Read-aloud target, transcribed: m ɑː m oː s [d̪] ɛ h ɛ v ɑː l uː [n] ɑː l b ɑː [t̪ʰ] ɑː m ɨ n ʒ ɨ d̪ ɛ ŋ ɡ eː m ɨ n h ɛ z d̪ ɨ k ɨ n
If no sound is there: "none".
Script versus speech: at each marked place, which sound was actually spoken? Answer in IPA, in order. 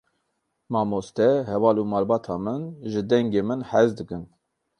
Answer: t̪, m, t̪ʰ

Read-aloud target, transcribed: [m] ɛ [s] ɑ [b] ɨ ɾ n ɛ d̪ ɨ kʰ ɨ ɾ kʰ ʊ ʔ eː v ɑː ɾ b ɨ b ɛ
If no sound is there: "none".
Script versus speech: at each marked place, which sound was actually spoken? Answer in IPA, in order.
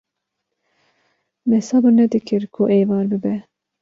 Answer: m, s, b

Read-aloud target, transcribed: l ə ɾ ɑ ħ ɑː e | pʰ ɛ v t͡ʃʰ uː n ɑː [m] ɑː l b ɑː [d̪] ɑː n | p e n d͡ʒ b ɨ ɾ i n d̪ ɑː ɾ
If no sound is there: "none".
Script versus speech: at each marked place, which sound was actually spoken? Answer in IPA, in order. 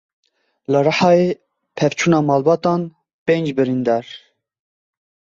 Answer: m, t̪

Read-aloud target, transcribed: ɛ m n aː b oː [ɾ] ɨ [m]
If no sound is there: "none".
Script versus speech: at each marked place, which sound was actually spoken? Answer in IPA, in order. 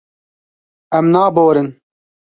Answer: ɾ, n

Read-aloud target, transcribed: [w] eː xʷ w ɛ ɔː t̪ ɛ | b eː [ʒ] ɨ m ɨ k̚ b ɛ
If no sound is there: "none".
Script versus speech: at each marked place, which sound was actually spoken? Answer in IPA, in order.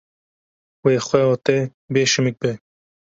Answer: w, ʃ

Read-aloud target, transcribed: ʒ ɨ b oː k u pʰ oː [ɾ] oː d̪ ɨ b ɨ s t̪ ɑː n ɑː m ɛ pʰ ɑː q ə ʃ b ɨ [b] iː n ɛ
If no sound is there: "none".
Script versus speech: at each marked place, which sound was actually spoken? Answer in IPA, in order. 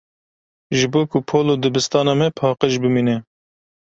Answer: l, m

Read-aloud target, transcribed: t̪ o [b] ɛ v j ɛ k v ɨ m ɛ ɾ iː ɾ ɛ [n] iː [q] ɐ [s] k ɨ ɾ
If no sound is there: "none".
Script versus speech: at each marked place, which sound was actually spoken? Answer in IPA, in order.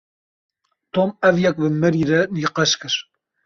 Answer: m, n, q, ʃ

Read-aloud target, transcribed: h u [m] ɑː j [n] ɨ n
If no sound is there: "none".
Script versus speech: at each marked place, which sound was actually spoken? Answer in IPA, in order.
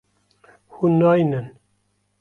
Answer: n, n

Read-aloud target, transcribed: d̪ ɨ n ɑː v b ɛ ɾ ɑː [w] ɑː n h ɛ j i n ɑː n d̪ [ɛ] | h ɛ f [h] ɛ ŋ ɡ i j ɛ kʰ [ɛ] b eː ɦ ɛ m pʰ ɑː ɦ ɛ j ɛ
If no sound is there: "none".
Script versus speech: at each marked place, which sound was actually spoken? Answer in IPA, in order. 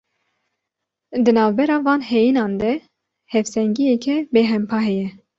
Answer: v, ɛ, s, ɛ

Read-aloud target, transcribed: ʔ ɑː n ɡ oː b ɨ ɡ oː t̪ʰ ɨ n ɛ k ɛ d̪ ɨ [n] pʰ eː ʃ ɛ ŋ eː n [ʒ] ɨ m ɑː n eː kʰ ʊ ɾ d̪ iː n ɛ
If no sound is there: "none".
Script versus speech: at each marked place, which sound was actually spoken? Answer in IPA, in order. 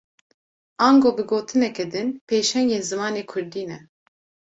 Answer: n, z

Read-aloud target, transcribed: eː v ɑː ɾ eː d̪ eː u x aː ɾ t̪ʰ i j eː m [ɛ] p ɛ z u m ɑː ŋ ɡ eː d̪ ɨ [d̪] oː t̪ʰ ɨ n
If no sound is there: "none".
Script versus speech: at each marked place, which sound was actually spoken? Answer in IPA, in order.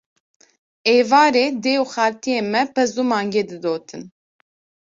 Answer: ɛ, d̪

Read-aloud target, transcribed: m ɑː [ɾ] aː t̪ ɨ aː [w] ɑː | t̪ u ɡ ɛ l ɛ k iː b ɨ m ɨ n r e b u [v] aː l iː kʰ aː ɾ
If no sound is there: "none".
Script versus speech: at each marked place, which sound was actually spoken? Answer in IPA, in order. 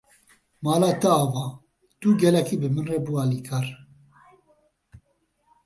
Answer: l, v, none

